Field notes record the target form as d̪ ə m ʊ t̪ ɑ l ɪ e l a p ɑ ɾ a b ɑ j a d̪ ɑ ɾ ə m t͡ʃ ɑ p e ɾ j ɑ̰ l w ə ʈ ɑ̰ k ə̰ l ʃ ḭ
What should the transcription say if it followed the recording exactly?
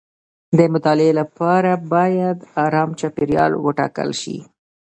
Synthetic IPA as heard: d̪ ə m ʊ t̪ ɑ l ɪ e l a p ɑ ɾ a b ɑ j a d̪ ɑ ɾ ɑ m t͡ʃ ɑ p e ɾ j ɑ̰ l w ə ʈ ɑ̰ k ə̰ l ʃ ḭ

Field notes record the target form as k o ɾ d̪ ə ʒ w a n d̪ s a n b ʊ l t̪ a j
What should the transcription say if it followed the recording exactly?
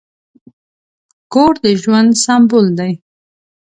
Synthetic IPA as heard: k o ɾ d̪ ə ʒ w a n d̪ s a m b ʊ l d̪ a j

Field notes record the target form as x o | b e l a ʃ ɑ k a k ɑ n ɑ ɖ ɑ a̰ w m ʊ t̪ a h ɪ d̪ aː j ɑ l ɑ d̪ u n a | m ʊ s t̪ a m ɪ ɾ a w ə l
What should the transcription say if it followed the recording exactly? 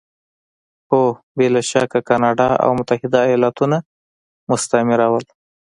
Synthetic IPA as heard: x o | b e l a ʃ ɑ k a k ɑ n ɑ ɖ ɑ a̰ w m ʊ t̪ a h ɪ d̪ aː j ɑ l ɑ t̪ u n a | m ʊ s t̪ a m ɪ ɾ a w ə l

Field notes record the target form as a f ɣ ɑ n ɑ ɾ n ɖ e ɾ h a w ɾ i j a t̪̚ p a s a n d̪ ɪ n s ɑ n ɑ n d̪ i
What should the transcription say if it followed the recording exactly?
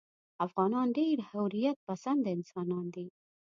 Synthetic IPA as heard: a f ɣ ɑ n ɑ n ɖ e ɾ h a w ɾ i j a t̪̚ p a s a n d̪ ɪ n s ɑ n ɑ n d̪ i

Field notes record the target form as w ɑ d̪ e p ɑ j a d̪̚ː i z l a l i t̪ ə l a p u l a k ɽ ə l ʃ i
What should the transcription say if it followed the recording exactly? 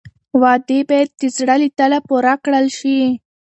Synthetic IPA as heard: w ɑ d̪ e b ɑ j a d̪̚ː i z ɽ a l i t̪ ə l a p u ɾ a k ɽ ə l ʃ i

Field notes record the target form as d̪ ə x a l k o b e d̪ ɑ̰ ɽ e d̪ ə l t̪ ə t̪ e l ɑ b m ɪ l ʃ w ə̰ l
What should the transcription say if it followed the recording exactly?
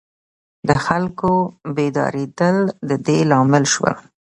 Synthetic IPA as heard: d̪ ə x a l k o b e d̪ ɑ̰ ɾ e d̪ ə l d̪ ə d̪ e l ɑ m ɪ l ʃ w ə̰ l

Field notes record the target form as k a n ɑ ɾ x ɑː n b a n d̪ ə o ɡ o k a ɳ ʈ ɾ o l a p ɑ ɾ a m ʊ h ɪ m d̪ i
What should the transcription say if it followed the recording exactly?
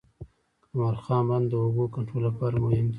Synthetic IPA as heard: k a m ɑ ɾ x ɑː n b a n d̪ ə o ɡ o k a ɳ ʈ ɾ o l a p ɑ ɾ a m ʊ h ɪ m d̪ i

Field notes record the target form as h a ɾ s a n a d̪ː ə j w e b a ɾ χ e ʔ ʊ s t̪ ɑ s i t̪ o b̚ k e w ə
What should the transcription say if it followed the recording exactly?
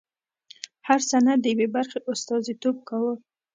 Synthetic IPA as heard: h a ɾ s a n a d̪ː ə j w e b a ɾ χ e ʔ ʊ s t̪ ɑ z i t̪ o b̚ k a w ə

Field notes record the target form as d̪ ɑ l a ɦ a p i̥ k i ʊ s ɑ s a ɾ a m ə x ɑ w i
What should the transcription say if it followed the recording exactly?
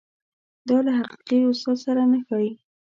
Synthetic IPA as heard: d̪ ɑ l a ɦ a q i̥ q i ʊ s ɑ s a ɾ a n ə x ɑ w i

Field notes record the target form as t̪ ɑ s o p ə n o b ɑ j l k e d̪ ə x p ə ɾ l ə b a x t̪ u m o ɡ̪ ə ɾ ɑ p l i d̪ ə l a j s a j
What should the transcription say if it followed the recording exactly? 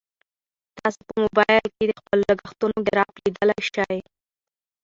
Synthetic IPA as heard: t̪ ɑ s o p ə m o b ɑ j l k e d̪ ə x p ə l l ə ɡ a x t̪ u n o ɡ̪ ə ɾ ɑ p l i d̪ ə l a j ʃ a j

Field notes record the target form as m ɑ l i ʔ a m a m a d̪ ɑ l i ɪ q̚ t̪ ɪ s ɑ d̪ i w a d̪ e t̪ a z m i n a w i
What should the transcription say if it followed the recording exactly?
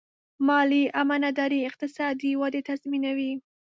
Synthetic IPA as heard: m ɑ l i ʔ a m a n a d̪ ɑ ɾ i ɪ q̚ t̪ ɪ s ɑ d̪ i w a d̪ e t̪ a z m i n a w i

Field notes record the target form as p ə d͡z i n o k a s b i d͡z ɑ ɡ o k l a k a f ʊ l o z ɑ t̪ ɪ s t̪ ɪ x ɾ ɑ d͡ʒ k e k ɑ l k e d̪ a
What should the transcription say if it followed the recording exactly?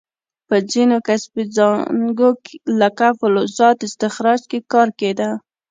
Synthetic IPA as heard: p ə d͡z i n o k a s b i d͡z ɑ ɡ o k l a k a f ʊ l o z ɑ t̪ ɪ s t̪ ɪ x ɾ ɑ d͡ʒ k e k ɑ ɾ k e d̪ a

